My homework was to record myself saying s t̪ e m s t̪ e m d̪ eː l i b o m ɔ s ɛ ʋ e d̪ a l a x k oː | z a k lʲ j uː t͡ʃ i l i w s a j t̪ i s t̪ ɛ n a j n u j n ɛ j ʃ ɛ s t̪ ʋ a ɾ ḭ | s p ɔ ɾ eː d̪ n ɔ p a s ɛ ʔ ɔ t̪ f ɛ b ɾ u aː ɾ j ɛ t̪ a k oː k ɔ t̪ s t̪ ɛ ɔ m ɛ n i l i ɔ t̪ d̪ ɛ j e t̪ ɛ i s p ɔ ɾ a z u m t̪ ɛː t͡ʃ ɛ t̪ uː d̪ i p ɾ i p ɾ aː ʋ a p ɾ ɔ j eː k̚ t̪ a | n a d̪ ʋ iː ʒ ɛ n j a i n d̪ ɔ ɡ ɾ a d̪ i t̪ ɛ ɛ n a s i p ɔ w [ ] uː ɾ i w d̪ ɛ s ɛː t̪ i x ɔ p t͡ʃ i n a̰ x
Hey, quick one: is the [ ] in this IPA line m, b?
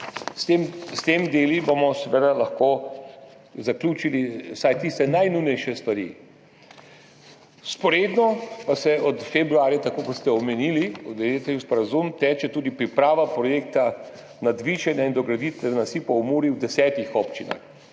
m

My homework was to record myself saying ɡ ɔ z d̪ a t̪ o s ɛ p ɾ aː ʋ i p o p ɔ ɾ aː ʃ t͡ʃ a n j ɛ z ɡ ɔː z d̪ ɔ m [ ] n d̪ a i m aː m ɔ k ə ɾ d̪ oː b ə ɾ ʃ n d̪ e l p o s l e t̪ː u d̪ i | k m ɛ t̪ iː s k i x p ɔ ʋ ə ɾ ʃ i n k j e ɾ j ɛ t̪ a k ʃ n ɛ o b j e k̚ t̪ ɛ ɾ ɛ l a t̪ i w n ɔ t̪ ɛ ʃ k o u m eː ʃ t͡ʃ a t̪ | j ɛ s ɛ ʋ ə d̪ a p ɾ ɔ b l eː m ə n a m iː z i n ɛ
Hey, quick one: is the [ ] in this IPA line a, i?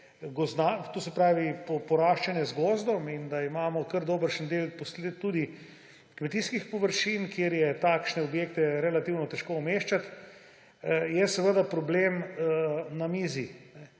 i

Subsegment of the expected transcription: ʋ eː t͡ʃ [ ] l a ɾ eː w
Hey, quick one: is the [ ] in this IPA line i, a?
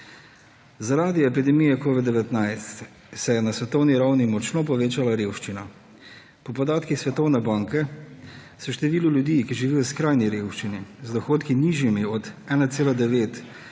a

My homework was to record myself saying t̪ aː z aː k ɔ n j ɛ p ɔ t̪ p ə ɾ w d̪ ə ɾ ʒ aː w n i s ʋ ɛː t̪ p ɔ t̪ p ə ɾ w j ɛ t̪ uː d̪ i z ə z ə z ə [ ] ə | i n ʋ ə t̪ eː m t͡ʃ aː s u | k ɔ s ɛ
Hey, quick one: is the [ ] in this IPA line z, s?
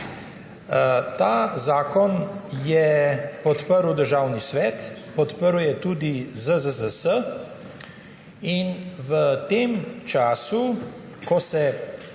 s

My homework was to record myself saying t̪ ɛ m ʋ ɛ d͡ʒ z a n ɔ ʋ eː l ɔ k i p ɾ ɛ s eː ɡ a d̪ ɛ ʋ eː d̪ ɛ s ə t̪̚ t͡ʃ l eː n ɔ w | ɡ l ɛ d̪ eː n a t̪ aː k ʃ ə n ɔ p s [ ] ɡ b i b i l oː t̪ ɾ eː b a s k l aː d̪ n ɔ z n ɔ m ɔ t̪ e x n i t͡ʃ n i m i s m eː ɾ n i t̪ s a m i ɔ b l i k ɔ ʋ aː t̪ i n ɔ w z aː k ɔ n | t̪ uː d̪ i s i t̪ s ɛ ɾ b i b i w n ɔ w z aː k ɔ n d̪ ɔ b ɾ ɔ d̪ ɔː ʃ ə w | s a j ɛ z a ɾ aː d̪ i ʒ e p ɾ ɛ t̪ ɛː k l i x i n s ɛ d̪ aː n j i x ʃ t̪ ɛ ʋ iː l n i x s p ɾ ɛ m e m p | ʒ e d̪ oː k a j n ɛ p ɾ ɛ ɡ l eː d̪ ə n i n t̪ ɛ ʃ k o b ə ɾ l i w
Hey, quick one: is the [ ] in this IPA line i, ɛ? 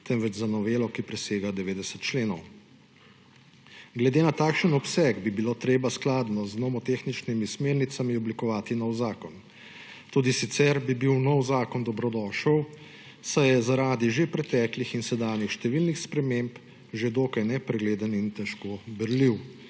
ɛ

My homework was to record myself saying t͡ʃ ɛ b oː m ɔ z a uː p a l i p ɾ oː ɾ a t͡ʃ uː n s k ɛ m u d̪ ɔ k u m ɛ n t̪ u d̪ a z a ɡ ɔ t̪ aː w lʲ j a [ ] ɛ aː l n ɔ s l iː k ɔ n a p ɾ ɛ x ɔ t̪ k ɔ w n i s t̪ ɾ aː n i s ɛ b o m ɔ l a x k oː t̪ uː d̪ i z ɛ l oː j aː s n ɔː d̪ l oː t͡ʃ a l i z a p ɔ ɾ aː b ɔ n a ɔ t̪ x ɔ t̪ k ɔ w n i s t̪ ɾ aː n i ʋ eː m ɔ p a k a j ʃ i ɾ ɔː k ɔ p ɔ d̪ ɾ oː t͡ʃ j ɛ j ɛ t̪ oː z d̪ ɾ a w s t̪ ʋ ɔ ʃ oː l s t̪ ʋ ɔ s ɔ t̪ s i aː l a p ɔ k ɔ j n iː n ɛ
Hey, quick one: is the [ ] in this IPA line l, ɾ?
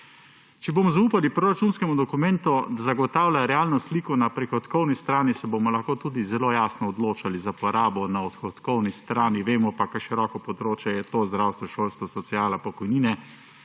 ɾ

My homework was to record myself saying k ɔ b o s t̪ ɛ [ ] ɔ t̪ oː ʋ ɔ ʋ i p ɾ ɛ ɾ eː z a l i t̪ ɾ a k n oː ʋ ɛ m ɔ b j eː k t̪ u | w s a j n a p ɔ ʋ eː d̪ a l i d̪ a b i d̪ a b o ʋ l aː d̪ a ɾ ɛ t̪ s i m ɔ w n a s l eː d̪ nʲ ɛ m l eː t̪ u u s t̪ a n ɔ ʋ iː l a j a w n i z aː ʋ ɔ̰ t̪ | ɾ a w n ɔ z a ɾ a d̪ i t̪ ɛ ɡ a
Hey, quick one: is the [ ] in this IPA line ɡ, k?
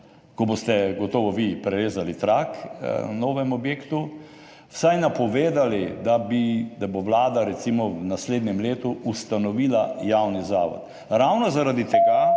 ɡ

